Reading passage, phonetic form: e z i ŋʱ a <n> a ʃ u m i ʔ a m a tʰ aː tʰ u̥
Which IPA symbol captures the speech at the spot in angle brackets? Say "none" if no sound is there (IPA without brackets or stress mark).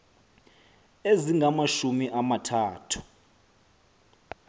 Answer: m